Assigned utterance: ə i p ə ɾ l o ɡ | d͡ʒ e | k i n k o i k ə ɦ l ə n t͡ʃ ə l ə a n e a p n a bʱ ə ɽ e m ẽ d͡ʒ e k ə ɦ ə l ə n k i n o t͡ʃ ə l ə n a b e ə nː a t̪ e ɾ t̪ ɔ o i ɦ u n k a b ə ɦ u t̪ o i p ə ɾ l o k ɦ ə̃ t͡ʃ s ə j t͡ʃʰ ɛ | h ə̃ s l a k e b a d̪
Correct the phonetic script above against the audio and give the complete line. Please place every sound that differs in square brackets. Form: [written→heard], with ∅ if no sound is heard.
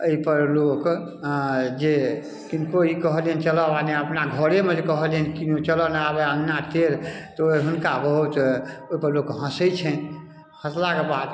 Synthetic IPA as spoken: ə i p ə ɾ l o [ɡ→k] | d͡ʒ e | k i n k o i k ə ɦ l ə n t͡ʃ ə l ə a n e [a→ə] p n a [bʱ→ɡʱ] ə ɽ e m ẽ d͡ʒ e k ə ɦ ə l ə n k i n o t͡ʃ ə l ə n a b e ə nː a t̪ e ɾ t̪ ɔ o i ɦ u n k a b ə ɦ u t̪ o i p ə ɾ l o k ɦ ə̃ [t͡ʃ→∅] s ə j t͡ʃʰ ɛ | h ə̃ s l a k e b a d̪